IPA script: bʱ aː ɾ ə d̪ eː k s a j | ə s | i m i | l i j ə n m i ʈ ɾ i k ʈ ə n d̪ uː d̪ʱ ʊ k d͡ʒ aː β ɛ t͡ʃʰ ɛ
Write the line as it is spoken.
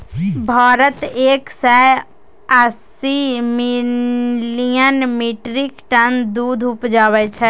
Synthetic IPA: bʱ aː ɾ ə t̪ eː k s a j | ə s | i m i | l i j ə n m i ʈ ɾ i k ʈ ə n d̪ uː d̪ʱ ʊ p d͡ʒ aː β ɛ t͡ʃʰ ɛ

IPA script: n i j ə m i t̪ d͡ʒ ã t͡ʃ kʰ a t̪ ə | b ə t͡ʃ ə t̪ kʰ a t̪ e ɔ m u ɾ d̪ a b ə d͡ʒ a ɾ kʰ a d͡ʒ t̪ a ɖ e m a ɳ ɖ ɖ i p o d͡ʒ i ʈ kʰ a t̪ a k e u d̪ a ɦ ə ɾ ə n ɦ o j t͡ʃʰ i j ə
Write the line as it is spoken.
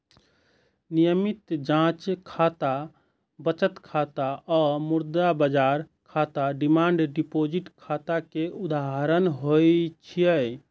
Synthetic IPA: n i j ə m i t̪ d͡ʒ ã t͡ʃ kʰ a t̪ a | b ə t͡ʃ ə t̪ kʰ a t̪ a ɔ m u ɾ d̪ a b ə d͡ʒ a ɾ kʰ a t̪ a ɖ i m a ɳ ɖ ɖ i p o d͡ʒ i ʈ kʰ a t̪ a k e u d̪ a ɦ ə ɾ ə n ɦ o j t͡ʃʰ i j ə

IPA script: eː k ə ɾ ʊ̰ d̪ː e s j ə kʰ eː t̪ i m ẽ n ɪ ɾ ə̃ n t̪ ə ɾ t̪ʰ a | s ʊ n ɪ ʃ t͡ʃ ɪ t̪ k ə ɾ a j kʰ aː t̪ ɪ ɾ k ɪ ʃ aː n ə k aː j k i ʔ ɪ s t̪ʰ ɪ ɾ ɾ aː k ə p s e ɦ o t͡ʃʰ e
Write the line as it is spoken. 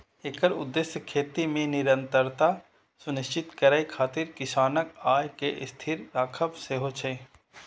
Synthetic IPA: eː k ə ɾ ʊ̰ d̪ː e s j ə kʰ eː t̪ i m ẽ n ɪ ɾ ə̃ n t̪ ə ɾ t̪ a | s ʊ n ɪ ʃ t͡ʃ ɪ t̪ k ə ɾ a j kʰ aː t̪ ɪ ɾ k ɪ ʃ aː n ə k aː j k e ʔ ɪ s t̪ʰ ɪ ɾ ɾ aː kʰ ə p s e ɦ o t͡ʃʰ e

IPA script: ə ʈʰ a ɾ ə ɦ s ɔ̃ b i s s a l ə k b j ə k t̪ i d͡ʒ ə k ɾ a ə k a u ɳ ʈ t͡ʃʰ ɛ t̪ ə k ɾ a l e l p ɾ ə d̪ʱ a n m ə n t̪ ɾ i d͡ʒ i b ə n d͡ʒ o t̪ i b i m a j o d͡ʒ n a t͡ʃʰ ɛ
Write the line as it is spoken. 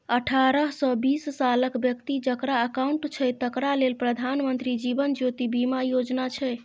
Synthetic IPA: ə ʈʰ a ɾ ə ɦ s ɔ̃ b i s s a l ə k b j ə k t̪ i d͡ʒ ə k ɾ a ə k a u ɳ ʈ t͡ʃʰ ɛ t̪ ə k ɾ a l e l p ɾ ə d̪ʱ a n m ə n t̪ ɾ i d͡ʒ i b ə n d͡ʒ o t̪ i b i m a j o d͡ʒ n a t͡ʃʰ ɛ

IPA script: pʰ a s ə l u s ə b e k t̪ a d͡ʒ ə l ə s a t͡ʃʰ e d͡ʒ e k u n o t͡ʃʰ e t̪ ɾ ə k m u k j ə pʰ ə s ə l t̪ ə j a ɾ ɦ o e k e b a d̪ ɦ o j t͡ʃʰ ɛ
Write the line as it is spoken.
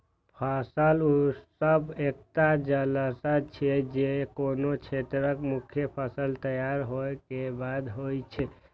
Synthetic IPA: pʰ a s ə l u s ə b e k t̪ a d͡ʒ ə l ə s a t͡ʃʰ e d͡ʒ e k o n o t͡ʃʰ e t̪ ɾ ə k m u kʰ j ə pʰ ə s ə l t̪ ə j a ɾ ɦ o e k e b a d̪ ɦ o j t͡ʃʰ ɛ

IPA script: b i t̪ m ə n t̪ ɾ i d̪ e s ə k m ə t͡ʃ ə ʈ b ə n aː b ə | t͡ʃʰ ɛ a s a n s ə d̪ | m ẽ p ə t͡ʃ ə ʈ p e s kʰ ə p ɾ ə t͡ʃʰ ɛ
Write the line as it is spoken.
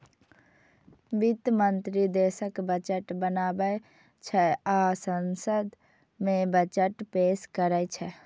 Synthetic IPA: b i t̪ m ə n t̪ ɾ i d̪ e s ə k b ə t͡ʃ ə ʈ b ə n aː b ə | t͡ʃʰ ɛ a s ə n s ə d̪ | m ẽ b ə t͡ʃ ə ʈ p e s k ə ɾ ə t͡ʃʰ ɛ

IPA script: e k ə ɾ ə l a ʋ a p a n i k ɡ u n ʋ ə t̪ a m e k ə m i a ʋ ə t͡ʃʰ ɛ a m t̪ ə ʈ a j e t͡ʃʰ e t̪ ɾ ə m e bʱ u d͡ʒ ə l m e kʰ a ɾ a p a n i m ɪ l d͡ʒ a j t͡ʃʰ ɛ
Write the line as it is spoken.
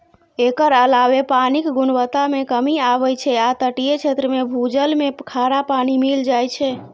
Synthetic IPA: e k ə ɾ ə l a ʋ e p a n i k ɡ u n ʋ ə t̪ a m e k ə m i a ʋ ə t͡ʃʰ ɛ a t̪ ə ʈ i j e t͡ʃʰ e t̪ ɾ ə m e bʱ u d͡ʒ ə l m e kʰ a ɾ a p a n i m i l d͡ʒ a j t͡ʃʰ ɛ

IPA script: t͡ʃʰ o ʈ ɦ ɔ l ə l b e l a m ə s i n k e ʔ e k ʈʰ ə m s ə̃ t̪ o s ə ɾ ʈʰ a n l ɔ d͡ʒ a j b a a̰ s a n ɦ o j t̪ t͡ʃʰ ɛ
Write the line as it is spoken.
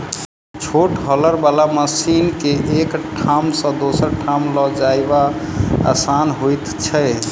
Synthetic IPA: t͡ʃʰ o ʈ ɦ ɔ l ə ɾ b a l a m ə s i n k e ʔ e k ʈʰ a m s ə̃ d̪ o s ə ɾ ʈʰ a m l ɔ d͡ʒ a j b a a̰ s a n ɦ o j t̪ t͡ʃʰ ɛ

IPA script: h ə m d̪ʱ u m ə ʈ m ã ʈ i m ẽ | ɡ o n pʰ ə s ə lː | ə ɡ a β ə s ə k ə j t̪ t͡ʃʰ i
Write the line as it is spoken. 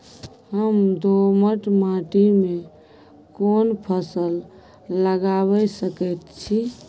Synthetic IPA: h ə m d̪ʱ o m ə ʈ m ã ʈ i m e | k o n pʰ ə s ə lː | ə ɡ a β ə s ə k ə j t̪ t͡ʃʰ i

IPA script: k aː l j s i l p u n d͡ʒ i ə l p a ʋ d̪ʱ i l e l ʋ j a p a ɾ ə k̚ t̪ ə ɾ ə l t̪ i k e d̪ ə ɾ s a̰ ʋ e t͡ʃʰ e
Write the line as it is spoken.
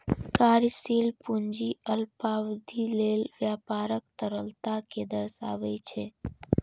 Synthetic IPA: k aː ɾ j s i l p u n d͡ʒ i ə l p a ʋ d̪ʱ i l e l ʋ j a p a ɾ ə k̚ t̪ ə ɾ ə l t̪ a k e d̪ ə ɾ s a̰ ʋ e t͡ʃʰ e

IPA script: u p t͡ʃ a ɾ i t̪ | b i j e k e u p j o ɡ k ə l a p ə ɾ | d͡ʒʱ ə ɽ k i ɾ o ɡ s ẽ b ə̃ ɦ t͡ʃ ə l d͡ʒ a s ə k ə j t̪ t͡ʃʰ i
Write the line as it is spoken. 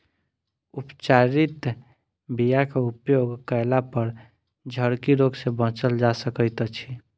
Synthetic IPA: u p t͡ʃ a ɾ i t̪ | b i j a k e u p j o ɡ k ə l a p ə ɾ | d͡ʒʱ ə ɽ k i ɾ o ɡ s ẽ b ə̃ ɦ t͡ʃ ə l d͡ʒ a s ə k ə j t̪ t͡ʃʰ i

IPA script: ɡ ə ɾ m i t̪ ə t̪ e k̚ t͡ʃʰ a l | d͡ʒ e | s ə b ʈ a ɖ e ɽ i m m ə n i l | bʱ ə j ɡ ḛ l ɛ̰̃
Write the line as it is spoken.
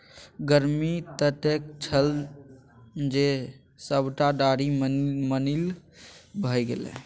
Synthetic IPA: ɡ ə ɾ m i t̪ ə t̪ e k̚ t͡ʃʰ ə l | d͡ʒ e | s ə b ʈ a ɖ a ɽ i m m ə n i l | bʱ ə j ɡ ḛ l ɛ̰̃

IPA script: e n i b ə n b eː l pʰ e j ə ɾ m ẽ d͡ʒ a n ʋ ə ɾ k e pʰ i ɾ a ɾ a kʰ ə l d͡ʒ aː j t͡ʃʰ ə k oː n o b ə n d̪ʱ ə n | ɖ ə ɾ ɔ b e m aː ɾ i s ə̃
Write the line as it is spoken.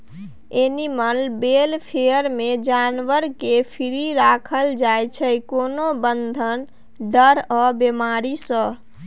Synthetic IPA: e n i m ə n b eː l pʰ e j ə ɾ m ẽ d͡ʒ a n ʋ ə ɾ k e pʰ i ɾ i ɾ a kʰ ə l d͡ʒ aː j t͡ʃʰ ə k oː n o b ə n d̪ʱ ə n | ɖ ə ɾ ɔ b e m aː ɾ i s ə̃

